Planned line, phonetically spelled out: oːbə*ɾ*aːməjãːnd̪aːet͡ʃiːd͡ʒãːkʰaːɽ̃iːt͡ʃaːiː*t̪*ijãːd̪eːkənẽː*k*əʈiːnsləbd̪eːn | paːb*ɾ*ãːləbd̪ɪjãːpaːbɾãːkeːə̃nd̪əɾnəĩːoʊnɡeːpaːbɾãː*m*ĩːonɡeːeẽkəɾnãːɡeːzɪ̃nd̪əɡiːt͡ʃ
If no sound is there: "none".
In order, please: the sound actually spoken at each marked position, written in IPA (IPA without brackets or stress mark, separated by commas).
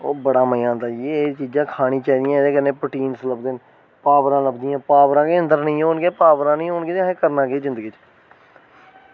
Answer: ɽ, d̪, p, ɾ, n